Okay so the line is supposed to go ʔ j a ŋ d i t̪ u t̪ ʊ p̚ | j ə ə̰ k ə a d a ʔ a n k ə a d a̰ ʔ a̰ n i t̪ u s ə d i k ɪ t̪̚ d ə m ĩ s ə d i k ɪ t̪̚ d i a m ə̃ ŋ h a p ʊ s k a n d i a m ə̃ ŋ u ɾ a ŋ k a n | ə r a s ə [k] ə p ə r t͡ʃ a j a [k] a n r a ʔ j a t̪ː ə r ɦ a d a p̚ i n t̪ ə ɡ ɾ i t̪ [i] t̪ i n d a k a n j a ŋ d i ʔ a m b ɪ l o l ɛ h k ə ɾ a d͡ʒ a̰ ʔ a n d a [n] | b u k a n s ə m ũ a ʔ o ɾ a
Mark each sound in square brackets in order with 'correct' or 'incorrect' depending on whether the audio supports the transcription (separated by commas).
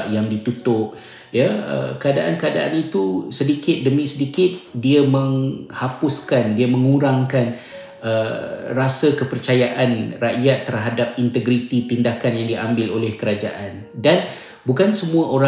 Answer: correct, incorrect, correct, correct